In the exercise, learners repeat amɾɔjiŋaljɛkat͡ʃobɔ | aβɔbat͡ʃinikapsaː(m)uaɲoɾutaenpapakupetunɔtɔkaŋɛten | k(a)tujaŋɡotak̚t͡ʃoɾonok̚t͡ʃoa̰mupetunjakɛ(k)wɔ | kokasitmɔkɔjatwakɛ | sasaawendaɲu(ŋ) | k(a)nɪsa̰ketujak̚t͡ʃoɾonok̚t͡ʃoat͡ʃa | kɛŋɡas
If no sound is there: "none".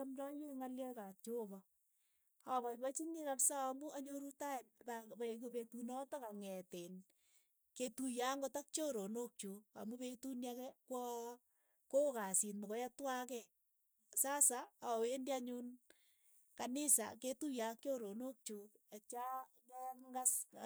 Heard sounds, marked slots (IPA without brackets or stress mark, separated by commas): m, e, k, n, a